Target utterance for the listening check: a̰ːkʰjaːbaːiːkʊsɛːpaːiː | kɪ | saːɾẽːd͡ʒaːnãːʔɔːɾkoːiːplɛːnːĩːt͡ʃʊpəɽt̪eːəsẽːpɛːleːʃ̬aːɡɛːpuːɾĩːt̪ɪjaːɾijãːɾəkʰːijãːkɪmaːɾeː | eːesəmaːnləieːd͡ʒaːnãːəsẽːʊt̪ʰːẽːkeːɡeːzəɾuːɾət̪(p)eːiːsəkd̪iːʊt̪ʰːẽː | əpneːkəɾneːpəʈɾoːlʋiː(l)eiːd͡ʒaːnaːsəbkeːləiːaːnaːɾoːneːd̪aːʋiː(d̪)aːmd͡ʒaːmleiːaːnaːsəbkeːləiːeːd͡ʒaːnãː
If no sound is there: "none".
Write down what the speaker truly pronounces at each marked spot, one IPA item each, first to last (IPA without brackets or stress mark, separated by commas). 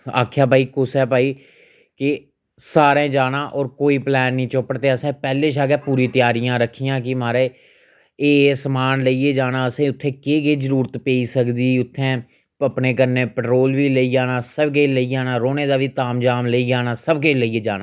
p, l, t̪